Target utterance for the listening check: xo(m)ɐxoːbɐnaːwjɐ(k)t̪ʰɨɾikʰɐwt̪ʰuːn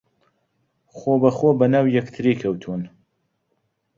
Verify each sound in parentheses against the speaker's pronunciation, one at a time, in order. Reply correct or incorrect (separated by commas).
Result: incorrect, correct